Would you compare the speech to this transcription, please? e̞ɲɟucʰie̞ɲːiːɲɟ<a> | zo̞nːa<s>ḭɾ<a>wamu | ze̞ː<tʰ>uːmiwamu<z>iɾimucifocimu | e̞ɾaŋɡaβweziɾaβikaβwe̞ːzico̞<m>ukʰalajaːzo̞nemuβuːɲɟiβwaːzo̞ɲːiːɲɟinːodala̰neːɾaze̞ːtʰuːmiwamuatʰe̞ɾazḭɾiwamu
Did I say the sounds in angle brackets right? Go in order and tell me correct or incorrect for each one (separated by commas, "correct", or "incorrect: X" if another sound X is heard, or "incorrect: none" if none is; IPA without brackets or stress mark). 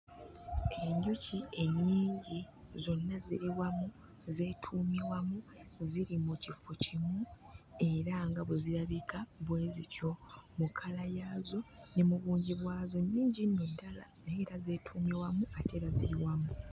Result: incorrect: i, incorrect: z, incorrect: i, correct, correct, correct